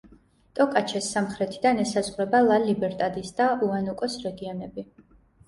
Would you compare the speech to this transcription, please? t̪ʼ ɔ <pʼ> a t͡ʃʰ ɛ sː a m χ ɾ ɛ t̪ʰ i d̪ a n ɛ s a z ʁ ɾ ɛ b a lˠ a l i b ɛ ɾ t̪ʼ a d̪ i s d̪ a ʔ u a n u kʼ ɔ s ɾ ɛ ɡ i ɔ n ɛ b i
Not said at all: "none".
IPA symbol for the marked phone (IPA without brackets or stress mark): kʼ